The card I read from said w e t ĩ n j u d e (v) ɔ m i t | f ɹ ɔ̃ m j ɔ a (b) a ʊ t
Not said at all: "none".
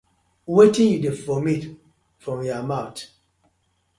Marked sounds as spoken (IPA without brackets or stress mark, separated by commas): f, m